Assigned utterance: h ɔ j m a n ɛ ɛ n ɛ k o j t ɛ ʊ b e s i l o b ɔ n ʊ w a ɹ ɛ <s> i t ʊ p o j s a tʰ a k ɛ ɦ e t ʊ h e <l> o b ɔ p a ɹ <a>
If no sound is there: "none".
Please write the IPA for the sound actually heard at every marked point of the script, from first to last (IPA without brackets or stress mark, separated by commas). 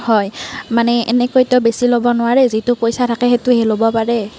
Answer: z, l, ɛ